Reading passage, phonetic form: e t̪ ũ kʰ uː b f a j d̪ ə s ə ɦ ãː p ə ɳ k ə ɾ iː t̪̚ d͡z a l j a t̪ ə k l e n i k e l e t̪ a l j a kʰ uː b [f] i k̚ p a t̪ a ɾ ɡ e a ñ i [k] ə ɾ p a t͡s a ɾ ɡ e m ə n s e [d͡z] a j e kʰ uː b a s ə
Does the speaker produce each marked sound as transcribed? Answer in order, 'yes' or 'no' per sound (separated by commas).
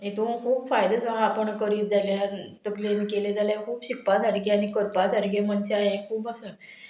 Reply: no, yes, no